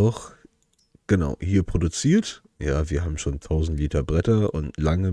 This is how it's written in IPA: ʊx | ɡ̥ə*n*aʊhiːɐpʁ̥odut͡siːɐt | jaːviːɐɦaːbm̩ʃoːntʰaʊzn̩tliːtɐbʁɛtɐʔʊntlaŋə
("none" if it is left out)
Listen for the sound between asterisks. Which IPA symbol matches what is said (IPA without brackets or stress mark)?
n